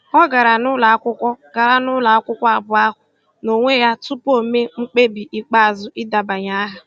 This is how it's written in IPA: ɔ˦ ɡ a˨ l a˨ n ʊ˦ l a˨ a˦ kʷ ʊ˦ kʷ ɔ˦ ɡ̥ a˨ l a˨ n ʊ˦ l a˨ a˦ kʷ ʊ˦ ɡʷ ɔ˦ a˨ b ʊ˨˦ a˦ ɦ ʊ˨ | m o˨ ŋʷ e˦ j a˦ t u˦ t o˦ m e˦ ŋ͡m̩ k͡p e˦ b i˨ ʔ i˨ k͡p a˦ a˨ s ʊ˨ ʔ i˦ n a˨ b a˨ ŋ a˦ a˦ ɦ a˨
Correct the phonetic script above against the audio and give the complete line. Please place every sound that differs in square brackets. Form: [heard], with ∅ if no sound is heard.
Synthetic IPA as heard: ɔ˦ ɡ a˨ [ɾ] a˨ n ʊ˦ l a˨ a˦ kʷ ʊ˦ kʷ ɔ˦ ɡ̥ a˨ [ɾ] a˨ n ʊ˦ l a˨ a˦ kʷ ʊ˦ [kʷ] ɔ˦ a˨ b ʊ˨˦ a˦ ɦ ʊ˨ | [n] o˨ ŋʷ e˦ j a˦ t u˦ [p] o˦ m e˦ ŋ͡m̩ k͡p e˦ b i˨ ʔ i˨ k͡p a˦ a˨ [z] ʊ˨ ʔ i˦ [d] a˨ b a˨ [ɲ] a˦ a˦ ɦ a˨